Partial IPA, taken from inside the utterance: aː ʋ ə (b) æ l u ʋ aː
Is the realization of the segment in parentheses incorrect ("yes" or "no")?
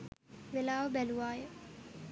no